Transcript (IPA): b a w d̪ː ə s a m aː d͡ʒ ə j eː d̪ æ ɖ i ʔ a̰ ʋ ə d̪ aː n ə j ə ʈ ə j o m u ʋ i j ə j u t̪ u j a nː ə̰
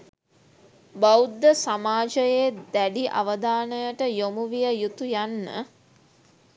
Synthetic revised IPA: b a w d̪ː ə s a m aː d͡ʒ ə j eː d̪ æ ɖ i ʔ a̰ ʋ ə d̪ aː n ə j ə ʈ ə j o m u ʋ i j ə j u t̪ u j a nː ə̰